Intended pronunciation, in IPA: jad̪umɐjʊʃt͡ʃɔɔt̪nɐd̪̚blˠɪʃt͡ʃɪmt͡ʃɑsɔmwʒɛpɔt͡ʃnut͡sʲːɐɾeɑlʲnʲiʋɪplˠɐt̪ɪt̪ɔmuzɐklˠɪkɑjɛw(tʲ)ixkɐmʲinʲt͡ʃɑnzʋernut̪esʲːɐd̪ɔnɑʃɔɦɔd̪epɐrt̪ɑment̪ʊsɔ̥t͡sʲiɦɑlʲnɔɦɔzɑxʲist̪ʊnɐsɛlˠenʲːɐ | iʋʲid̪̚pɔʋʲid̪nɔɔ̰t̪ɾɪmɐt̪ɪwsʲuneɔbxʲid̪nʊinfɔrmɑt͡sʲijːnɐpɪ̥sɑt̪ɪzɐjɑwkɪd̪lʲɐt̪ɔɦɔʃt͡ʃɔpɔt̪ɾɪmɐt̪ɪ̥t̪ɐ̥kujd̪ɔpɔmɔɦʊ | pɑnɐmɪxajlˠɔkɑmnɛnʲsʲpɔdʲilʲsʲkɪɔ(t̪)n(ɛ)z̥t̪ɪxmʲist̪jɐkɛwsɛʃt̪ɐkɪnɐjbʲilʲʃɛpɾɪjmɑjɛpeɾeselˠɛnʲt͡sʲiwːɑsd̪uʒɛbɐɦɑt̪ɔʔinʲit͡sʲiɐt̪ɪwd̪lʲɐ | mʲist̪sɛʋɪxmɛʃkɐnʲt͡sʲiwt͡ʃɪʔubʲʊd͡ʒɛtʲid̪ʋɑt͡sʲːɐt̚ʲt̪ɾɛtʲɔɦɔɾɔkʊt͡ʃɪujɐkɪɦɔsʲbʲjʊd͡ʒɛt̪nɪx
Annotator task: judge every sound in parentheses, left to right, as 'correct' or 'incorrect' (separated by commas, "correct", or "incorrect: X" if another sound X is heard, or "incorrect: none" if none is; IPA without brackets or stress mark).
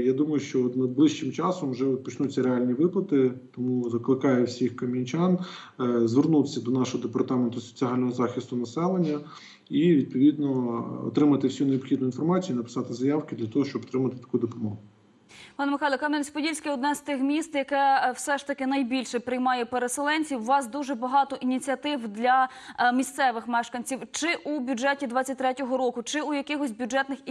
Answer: incorrect: sʲ, incorrect: d̪, correct